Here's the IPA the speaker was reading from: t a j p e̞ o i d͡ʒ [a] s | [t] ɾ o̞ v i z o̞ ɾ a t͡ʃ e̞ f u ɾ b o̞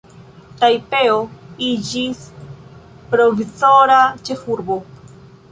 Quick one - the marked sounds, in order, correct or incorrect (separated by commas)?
incorrect, incorrect